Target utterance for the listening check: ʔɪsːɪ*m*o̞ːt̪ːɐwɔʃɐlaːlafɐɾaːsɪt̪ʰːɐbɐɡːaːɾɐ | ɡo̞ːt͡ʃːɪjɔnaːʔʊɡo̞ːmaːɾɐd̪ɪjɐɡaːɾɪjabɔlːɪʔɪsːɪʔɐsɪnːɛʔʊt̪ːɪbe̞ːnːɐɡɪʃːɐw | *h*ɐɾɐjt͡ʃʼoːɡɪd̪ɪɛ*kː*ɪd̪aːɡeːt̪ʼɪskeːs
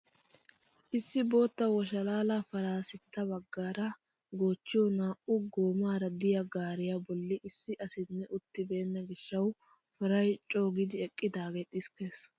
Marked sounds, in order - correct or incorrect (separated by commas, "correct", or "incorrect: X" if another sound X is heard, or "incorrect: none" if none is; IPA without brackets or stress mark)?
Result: incorrect: b, incorrect: f, incorrect: kʼː